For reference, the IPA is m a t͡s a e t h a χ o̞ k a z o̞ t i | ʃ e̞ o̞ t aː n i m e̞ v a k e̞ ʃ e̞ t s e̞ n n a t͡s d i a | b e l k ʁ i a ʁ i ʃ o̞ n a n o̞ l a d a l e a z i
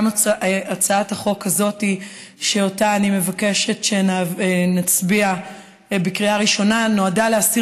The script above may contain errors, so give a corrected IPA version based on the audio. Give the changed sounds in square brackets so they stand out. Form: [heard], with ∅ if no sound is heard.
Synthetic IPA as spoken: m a t͡s a [a] t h a χ o̞ k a z o̞ t i | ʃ e̞ o̞ t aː n i m e̞ v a k e̞ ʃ e̞ t [ʃ] e̞ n n a t͡s [b] i a | b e [∅] k ʁ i a ʁ i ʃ o̞ n a n o̞ [∅] a d a l e a [s] i